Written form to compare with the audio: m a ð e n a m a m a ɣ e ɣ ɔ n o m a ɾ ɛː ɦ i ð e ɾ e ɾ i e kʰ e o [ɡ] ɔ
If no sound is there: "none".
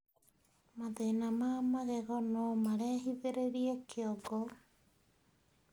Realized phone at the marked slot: ɡ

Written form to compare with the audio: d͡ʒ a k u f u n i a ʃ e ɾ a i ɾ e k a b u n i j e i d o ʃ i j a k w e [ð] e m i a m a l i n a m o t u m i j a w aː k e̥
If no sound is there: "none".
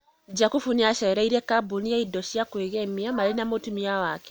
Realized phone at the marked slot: ɣ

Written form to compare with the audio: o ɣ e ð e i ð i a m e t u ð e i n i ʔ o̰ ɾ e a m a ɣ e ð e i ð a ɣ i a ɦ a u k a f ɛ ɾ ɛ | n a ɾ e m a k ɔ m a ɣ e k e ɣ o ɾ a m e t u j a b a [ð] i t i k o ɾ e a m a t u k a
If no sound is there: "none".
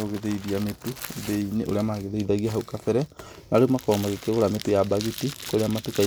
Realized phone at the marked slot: ɣ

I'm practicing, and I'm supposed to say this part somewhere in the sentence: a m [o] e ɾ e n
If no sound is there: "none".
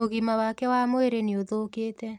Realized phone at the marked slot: o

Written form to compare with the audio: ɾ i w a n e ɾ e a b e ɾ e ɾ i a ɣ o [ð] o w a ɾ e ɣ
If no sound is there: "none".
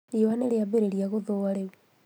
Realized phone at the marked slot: ð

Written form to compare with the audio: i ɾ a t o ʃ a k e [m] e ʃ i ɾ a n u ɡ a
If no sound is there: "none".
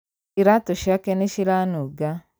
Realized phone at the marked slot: n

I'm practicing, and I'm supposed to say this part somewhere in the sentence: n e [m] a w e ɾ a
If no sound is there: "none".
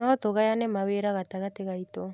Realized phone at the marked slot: m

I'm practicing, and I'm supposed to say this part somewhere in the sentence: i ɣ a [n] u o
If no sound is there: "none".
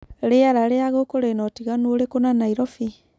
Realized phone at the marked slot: n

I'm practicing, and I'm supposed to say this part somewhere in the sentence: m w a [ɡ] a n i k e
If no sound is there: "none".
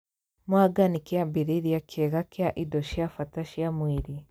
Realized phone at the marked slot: ɡ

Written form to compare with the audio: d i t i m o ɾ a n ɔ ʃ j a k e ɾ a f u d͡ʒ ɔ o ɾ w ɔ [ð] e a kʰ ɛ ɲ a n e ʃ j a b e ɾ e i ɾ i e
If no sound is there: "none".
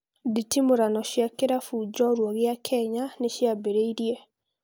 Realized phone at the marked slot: ɣ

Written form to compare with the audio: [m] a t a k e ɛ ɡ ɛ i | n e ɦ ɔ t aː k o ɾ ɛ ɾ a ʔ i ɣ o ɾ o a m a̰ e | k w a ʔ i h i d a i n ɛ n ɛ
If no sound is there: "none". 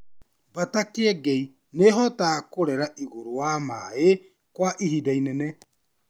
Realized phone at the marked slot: b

